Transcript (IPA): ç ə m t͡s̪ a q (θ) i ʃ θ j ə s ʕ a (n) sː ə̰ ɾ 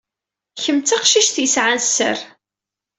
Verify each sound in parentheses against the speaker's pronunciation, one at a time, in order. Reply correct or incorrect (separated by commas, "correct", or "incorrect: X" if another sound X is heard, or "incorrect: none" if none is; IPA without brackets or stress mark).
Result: incorrect: ʃ, correct